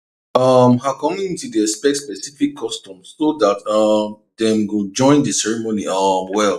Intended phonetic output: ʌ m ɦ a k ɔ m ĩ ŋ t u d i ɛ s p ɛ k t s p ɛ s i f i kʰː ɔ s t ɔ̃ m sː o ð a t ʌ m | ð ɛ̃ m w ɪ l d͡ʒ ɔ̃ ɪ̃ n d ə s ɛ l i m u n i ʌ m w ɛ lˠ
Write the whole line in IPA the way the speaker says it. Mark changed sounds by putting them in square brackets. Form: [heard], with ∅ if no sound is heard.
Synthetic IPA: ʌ m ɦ a k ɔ m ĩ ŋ t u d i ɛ s p ɛ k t s p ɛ s i f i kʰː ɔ s t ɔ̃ m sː o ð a t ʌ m | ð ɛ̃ m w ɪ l d͡ʒ ɔ̃ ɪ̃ n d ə s ɛ [ɹ] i m [o] n i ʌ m w ɛ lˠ